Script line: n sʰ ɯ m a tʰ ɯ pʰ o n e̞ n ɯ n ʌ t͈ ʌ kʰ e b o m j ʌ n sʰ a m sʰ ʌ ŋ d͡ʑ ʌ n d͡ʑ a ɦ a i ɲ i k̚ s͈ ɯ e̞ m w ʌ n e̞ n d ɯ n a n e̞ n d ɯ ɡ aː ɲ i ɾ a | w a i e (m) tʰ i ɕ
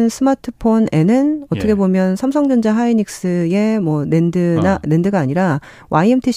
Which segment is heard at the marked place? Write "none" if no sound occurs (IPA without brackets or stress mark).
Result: m